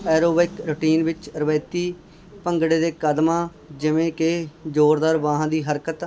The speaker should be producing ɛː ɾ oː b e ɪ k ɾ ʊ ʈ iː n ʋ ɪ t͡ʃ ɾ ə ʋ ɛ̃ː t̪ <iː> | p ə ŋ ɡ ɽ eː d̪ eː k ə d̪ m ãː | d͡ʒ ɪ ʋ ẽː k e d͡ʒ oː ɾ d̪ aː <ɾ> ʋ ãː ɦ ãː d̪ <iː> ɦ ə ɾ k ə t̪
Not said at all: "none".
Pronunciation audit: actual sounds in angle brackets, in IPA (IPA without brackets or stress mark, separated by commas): iː, ɾ, iː